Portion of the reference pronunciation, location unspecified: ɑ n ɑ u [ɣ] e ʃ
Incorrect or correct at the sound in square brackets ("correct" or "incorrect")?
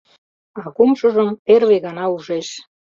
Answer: incorrect